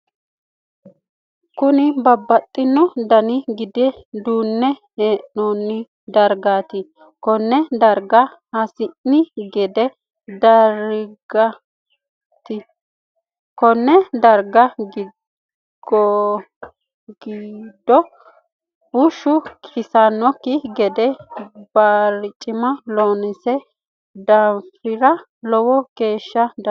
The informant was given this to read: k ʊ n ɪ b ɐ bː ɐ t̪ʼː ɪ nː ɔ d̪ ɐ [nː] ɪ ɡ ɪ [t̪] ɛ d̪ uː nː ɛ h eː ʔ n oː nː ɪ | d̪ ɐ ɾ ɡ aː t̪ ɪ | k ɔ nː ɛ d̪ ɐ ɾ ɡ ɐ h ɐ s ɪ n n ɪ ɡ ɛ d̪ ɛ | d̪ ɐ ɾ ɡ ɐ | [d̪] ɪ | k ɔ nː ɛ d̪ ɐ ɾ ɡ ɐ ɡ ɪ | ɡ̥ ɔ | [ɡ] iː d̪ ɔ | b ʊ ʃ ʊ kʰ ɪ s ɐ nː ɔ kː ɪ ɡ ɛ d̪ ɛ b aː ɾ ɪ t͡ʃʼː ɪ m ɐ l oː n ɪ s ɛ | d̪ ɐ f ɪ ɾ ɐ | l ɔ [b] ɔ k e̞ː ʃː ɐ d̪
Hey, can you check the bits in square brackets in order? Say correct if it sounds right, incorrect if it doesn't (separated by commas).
incorrect, incorrect, incorrect, correct, incorrect